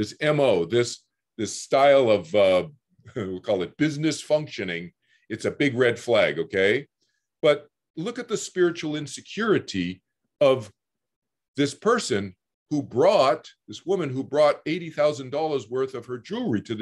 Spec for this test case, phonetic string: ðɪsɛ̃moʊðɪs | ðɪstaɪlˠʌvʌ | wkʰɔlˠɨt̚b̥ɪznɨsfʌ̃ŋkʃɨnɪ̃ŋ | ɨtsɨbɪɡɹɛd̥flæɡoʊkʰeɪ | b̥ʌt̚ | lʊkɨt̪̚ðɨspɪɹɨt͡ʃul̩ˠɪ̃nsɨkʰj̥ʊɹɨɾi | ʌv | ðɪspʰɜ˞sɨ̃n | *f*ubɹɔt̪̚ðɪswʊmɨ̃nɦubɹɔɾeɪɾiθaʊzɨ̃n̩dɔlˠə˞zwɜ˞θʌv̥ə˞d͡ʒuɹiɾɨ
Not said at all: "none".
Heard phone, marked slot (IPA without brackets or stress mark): h